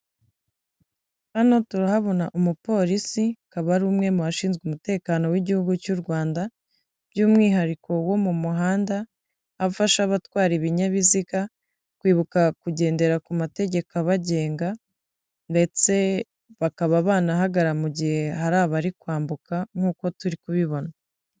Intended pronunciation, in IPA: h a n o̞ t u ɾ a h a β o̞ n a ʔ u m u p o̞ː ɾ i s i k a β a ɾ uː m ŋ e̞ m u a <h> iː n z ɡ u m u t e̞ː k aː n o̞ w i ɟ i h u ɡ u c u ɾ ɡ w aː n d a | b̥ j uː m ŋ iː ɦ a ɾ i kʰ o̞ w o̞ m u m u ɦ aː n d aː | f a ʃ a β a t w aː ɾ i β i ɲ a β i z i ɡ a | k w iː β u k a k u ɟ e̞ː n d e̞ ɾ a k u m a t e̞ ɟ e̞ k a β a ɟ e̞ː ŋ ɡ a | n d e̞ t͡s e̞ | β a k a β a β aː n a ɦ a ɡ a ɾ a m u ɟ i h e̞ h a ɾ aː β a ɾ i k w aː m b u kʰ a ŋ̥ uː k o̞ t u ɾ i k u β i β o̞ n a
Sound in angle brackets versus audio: incorrect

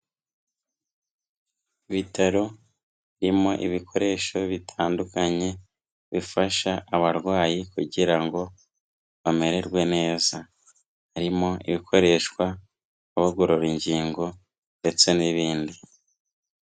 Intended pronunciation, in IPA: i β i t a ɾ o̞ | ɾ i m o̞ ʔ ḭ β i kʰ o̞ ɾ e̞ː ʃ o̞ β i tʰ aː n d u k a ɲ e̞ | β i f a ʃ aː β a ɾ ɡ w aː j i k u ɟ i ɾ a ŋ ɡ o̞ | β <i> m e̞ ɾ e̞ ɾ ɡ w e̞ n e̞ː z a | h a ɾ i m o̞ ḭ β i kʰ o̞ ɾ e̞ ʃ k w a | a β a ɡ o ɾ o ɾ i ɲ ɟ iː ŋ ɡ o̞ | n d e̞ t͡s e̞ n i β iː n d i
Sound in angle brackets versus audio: incorrect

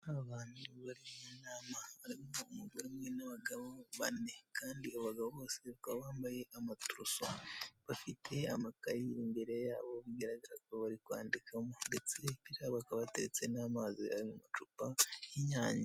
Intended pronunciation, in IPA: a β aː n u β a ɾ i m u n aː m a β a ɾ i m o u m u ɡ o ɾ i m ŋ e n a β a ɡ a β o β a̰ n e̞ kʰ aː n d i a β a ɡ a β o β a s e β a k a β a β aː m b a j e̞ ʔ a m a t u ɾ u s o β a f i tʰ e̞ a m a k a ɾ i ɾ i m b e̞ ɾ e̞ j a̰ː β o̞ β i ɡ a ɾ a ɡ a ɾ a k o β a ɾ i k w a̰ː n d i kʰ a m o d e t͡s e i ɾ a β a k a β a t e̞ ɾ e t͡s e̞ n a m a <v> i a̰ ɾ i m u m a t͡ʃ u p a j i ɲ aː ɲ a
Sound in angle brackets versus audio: incorrect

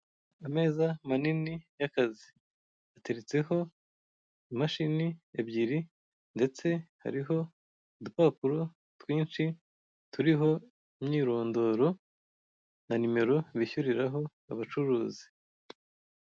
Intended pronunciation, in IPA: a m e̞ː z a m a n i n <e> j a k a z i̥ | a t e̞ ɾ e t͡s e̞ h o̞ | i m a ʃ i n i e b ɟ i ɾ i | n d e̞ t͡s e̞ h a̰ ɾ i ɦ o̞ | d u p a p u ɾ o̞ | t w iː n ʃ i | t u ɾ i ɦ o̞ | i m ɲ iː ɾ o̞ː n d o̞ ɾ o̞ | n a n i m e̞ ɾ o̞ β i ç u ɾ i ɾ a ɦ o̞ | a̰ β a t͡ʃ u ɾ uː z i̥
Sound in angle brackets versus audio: incorrect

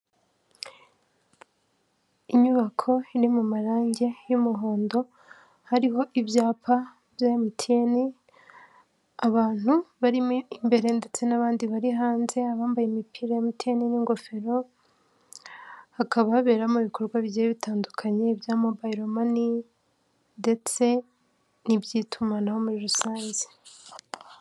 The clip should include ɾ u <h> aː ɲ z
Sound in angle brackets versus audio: incorrect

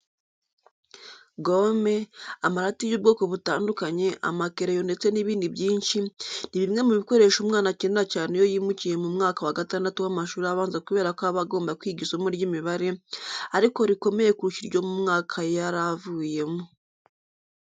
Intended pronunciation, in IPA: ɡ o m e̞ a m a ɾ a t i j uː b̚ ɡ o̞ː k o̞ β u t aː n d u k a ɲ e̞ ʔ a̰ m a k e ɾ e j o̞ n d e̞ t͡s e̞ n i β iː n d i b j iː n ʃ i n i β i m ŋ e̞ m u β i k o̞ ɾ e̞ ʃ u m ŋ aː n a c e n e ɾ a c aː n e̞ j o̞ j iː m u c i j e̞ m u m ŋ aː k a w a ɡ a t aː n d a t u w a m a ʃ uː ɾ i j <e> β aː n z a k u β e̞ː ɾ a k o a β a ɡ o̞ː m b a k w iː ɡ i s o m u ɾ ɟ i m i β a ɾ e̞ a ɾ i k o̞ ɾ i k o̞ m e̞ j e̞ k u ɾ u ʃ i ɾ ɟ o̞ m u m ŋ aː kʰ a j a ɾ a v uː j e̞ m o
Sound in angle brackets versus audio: incorrect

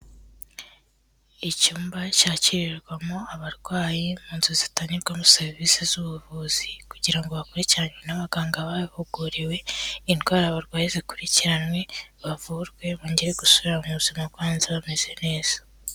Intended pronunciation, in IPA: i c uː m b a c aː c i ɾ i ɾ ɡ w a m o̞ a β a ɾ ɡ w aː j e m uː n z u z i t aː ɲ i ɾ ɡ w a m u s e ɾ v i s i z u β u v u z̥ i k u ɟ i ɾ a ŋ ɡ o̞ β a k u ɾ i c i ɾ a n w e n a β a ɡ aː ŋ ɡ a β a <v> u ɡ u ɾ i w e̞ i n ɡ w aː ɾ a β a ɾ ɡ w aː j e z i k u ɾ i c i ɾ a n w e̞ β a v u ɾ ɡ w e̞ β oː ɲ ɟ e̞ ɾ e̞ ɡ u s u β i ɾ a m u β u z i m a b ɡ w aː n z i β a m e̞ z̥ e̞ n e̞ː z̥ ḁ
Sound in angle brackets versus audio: incorrect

